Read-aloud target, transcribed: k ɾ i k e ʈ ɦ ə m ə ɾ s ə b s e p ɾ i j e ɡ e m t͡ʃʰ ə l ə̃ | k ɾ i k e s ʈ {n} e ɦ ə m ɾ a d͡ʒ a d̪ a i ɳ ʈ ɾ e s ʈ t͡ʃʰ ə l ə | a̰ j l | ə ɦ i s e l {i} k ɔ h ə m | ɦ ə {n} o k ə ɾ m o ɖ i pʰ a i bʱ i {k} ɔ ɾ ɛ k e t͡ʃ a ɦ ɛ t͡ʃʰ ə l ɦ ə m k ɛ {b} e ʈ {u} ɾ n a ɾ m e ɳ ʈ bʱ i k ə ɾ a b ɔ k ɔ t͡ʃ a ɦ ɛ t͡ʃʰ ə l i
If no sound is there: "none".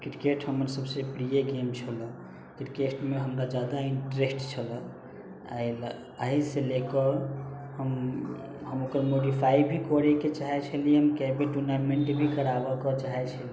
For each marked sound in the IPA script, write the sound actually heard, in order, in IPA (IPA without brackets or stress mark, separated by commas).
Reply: m, e, m, k, b, u